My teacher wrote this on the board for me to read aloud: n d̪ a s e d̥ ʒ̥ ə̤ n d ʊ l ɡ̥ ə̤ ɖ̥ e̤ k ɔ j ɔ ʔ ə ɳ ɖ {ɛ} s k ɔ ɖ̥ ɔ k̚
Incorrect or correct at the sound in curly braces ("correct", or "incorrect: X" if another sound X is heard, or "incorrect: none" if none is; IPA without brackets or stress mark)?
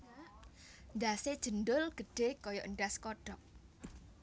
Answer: incorrect: a